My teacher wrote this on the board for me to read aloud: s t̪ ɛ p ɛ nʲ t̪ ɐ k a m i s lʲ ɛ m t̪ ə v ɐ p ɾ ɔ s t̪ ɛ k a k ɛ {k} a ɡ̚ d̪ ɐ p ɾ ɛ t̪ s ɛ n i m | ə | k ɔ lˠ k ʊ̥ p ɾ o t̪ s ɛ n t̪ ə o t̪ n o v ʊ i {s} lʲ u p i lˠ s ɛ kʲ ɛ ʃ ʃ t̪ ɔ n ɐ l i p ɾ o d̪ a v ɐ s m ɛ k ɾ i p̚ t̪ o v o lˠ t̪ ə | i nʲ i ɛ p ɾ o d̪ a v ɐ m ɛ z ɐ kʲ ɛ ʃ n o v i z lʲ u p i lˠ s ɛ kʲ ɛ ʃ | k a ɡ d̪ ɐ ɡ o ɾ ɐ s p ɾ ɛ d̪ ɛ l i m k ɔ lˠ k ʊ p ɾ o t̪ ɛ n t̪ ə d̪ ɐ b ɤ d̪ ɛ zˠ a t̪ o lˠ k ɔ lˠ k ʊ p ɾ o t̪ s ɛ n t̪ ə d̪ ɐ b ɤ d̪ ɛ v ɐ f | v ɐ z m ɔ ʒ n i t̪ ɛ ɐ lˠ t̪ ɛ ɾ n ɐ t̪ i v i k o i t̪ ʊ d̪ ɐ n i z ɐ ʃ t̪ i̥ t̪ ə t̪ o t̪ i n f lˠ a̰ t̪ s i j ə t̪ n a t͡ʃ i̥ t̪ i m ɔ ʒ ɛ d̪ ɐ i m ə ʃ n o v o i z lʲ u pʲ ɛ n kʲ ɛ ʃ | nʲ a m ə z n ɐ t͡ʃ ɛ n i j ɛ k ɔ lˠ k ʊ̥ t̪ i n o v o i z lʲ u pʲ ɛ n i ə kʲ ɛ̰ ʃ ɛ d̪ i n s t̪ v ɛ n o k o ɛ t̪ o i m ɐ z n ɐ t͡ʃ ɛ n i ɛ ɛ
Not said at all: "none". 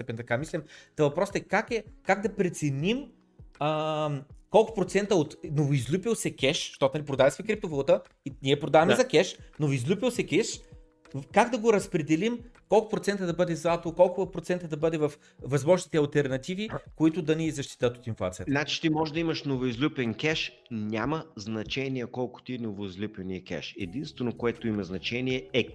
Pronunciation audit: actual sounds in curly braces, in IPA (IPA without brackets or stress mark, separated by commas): k, z